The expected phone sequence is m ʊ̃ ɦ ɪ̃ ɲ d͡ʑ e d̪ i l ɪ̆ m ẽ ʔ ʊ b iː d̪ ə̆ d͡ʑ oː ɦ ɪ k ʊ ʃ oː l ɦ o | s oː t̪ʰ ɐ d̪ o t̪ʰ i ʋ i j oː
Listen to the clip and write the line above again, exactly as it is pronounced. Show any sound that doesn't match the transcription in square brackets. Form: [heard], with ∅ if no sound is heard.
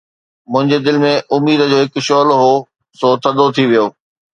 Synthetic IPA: m ʊ̃ ɦ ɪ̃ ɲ d͡ʑ e d̪ [ɪ] l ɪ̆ m ẽ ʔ ʊ [m] iː d̪ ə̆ d͡ʑ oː ɦ ɪ k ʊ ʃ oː l ɦ o | s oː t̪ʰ ɐ d̪ o t̪ʰ i ʋ i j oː